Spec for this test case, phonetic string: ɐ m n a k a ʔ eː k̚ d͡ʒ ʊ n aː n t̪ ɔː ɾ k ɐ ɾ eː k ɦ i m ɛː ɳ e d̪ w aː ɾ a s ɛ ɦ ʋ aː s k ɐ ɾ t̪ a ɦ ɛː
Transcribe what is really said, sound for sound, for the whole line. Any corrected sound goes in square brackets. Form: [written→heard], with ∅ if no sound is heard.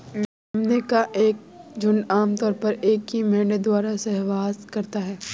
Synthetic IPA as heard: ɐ m n [a→e] k a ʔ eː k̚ d͡ʒ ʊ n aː [n→m] t̪ ɔː ɾ [k→p] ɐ ɾ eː k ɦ i m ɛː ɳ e d̪ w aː ɾ a s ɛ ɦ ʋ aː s k ɐ ɾ t̪ a ɦ ɛː